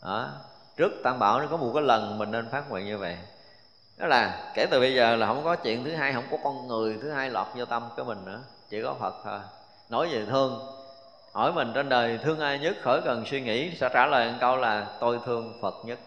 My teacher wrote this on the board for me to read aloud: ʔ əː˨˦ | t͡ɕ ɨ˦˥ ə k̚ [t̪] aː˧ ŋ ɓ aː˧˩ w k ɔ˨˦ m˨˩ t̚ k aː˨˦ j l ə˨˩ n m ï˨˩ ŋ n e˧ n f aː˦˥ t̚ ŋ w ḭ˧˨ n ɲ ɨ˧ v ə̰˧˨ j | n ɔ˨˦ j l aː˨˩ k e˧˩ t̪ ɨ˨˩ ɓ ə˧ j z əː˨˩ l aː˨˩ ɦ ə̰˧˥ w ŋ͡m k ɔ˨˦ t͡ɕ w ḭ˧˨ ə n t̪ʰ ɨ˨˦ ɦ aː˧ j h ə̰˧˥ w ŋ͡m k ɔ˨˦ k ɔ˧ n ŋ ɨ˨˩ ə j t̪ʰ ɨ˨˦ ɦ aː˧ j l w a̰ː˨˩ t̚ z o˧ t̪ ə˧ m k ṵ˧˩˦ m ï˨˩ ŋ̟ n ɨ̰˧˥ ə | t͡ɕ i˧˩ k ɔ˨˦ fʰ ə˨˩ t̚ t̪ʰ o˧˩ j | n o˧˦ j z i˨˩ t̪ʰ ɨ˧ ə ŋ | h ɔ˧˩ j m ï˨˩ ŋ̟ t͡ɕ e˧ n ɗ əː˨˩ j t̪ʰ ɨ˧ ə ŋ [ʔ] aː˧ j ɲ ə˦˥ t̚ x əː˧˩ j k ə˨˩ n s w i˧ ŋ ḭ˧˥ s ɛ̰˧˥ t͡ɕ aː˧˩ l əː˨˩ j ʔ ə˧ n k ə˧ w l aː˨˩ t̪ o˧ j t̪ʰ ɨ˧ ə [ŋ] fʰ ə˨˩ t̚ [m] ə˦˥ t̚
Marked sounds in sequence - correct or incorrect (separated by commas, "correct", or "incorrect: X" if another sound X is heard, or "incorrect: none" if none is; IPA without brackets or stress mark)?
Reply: correct, correct, correct, incorrect: ɲ